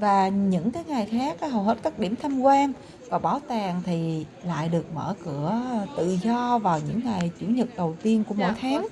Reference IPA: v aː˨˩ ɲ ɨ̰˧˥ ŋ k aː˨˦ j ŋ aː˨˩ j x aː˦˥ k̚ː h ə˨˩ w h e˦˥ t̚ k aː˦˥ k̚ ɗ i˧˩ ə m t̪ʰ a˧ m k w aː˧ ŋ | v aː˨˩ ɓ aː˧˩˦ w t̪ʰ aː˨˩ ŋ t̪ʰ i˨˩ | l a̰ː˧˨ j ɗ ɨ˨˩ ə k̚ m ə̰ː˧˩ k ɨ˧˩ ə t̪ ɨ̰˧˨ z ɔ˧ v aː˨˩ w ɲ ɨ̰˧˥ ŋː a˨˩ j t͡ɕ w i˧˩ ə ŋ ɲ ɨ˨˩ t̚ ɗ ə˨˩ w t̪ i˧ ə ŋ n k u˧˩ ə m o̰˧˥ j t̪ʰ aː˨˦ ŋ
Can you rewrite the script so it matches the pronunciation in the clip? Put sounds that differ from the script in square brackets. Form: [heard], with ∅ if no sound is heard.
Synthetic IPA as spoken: v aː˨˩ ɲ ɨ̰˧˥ ŋ k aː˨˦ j ŋ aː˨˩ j x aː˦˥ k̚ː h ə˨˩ w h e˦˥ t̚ k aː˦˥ k̚ ɗ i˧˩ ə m t̪ʰ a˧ m k w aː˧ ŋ | v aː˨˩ ɓ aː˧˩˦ w [t̪] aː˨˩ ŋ t̪ʰ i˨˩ | l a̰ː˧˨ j ɗ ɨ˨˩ ə k̚ m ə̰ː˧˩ k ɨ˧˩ ə t̪ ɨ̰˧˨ z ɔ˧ v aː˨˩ w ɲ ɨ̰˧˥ ŋː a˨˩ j t͡ɕ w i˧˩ ə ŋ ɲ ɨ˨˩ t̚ ɗ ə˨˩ w t̪ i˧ ə [∅] n k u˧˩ ə m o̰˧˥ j t̪ʰ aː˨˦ ŋ